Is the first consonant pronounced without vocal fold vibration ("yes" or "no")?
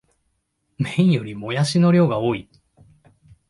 no